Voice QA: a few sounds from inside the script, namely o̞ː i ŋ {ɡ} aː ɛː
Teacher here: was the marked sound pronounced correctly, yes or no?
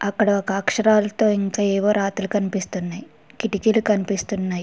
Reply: no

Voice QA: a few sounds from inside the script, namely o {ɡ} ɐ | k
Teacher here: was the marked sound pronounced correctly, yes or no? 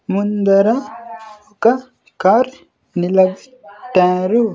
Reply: no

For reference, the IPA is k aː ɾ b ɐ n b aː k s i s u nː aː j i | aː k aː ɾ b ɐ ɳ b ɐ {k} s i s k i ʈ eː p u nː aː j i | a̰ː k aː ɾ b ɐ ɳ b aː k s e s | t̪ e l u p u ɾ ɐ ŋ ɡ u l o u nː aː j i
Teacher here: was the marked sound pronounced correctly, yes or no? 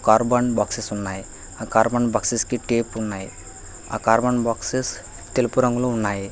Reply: yes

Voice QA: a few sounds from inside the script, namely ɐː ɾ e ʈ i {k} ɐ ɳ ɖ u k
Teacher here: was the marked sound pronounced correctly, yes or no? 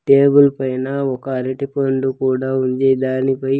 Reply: no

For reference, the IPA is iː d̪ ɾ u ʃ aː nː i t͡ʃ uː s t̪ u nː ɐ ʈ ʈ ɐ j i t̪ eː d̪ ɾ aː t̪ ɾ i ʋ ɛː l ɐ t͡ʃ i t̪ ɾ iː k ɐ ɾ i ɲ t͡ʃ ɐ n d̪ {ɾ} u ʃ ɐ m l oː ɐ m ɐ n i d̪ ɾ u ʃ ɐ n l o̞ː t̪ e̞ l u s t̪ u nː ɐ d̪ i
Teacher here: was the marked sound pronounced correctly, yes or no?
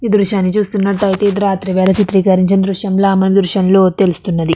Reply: yes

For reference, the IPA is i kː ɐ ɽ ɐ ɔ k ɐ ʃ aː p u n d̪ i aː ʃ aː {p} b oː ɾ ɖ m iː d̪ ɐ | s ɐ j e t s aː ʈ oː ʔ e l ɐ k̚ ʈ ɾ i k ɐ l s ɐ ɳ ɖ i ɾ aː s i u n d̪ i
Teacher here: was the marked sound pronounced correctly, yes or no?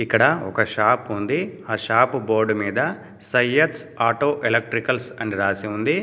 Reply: yes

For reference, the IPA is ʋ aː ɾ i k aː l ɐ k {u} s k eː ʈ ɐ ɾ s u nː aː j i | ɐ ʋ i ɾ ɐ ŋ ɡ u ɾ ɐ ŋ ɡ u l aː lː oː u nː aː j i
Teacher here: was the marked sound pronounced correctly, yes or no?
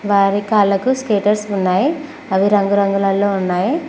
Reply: yes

